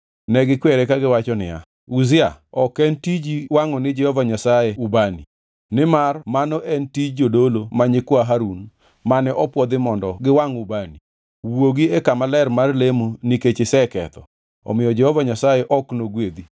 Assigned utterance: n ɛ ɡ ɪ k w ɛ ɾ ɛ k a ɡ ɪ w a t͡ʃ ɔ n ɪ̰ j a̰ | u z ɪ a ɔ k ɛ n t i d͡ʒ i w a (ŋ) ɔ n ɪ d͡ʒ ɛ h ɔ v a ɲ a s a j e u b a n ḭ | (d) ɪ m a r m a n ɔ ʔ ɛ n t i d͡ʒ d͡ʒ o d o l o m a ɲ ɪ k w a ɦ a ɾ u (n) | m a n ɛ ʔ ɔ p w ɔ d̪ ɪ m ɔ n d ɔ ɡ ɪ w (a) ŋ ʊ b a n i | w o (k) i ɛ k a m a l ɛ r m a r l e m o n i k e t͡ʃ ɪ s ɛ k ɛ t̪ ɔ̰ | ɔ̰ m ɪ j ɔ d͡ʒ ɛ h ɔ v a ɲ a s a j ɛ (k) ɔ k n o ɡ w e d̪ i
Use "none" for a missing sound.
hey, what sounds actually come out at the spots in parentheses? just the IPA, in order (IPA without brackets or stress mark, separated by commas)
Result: ŋ, n, n, a, ɡ, ʔ